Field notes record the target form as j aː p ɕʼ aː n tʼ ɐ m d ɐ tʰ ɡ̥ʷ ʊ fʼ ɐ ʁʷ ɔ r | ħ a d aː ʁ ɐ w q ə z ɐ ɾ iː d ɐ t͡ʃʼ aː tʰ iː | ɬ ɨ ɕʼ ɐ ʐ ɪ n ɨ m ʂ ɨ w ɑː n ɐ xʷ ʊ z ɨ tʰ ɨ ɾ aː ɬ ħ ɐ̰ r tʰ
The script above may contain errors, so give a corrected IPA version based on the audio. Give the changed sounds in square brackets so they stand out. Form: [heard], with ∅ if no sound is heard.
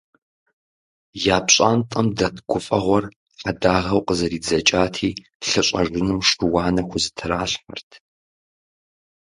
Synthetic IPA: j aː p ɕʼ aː n tʼ ɐ m d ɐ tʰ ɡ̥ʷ ʊ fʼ ɐ ʁʷ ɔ r | ħ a d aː ʁ ɐ w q ə z ɐ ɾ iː [d͡z] ɐ t͡ʃʼ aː tʰ iː | ɬ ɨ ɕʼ ɐ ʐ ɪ n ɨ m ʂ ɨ w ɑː n ɐ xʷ ʊ z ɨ tʰ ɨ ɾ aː ɬ ħ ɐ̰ r tʰ